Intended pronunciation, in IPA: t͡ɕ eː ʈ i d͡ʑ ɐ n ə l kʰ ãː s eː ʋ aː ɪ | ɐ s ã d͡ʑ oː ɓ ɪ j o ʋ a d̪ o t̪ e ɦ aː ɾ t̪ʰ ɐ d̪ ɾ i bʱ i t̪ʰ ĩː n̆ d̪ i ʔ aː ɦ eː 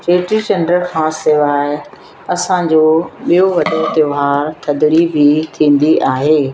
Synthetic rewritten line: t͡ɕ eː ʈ i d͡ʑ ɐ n ə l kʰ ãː s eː ʋ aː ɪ | ɐ s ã d͡ʑ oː ɓ i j o ʋ ɐ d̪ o t̪ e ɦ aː ɾ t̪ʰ ɐ d̪ ɾ i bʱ i t̪ʰ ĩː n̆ d̪ i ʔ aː ɦ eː

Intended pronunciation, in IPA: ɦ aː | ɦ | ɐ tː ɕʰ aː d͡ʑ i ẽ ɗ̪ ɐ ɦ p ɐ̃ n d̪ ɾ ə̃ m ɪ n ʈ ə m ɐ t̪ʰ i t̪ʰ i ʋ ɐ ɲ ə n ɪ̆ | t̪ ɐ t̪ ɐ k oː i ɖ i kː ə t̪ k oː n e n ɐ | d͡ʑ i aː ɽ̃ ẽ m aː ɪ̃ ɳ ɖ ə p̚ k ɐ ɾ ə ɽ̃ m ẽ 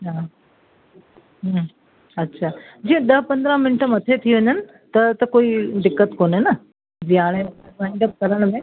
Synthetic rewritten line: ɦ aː | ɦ | ɐ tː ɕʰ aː d͡ʑ i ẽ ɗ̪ ɐ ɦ p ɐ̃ n d̪ ɾ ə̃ m ɪ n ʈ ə m ɐ t̪ʰ e t̪ʰ i ʋ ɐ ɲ ə n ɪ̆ | t̪ ɐ t̪ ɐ k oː i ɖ ɪ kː ə t̪ k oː n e n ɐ | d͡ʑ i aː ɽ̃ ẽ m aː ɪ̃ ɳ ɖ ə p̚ k ɐ ɾ ə ɽ̃ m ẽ

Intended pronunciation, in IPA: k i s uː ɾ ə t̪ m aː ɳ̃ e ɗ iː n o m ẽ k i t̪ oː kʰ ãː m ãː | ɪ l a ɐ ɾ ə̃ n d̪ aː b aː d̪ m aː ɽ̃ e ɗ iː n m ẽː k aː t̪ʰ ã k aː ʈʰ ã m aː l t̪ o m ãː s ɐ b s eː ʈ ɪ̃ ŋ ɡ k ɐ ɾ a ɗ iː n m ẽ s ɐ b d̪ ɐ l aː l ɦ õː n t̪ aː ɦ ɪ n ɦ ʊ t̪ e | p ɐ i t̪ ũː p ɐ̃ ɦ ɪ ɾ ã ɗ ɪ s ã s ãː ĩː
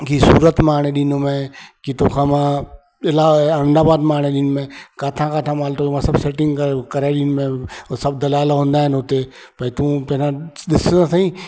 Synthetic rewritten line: k i s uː ɾ ə t̪ m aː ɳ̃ e ɗ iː n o m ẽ k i t̪ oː kʰ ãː m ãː | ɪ l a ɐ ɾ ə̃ n d̪ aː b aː d̪ m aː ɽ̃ e ɗ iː n m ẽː k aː t̪ʰ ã k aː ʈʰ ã m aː l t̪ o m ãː s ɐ b s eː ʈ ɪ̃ ŋ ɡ k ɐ ɾ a ɗ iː n m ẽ s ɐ b d̪ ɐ l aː l ɦ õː n d̪ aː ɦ ɪ n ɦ ʊ t̪ e | p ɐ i t̪ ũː p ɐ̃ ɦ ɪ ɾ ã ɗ ɪ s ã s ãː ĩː

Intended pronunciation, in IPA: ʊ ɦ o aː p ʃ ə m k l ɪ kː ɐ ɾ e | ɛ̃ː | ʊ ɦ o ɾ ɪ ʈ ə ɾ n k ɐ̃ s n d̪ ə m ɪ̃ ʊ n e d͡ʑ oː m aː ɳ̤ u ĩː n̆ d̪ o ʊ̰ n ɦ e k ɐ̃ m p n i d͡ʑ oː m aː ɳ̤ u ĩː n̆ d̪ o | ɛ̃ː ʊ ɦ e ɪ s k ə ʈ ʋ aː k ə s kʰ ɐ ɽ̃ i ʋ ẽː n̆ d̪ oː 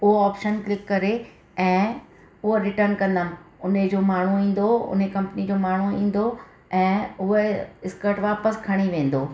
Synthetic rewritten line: ʊ ɦ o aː p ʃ ə n k l ɪ kː ɐ ɾ e | ɛ̃ː | ʊ ɦ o ɾ ɪ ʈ ə ɾ n k ɐ̃ n d̪ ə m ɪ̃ ʊ n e d͡ʑ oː m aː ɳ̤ u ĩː n̆ d̪ o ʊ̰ n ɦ e k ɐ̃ m p n i d͡ʑ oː m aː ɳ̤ u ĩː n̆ d̪ o | ɛ̃ː ʊ ɦ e ɪ s k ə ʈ ʋ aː p ə s kʰ ɐ ɽ̃ i ʋ ẽː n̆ d̪ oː

